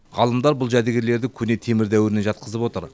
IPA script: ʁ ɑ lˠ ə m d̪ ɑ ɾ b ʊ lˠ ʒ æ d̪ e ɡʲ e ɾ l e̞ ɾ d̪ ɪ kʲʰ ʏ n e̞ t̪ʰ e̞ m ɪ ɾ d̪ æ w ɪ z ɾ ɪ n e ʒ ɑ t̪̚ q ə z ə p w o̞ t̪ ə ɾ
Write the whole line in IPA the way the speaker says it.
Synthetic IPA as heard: ʁ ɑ lˠ ə m d̪ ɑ ɾ b ʊ lˠ ʒ æ d̪ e ɡʲ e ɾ l e̞ ɾ d̪ ɪ kʲʰ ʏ n e̞ t̪ʰ e̞ m ɪ ɾ d̪ æ w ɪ ɾ ɪ n e ʒ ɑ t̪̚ q ə z ə p w o̞ t̪ ə ɾ